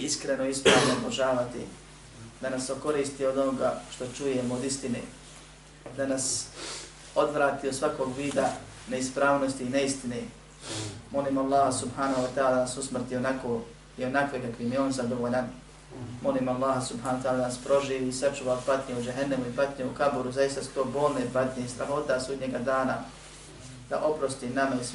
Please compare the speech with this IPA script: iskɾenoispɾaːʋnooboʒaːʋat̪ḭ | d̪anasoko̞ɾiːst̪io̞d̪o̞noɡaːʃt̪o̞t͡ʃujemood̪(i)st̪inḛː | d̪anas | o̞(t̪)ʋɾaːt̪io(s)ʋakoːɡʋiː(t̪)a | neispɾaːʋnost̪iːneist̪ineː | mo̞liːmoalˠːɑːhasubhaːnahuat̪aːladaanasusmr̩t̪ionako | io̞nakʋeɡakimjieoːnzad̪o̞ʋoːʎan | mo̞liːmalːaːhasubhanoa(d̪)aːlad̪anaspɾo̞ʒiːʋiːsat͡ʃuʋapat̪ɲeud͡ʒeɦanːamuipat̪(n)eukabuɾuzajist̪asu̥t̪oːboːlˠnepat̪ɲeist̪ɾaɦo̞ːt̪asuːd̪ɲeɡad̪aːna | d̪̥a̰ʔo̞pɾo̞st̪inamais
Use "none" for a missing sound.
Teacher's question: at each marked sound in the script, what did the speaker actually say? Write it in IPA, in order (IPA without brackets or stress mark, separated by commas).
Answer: i, d̪, s, d̪, t̪, ɲ